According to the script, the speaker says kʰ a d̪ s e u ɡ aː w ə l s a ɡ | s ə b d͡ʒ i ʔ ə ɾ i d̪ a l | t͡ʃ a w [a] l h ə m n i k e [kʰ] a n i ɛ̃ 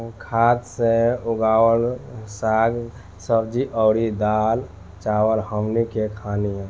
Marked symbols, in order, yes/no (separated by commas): no, yes